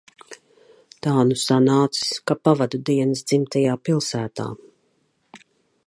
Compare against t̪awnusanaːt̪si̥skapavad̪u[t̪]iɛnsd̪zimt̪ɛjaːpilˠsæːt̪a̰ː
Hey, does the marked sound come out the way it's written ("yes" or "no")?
no